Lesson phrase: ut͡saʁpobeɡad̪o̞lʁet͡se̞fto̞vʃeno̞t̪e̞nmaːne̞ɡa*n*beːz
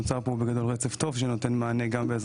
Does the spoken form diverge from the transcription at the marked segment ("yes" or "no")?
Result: yes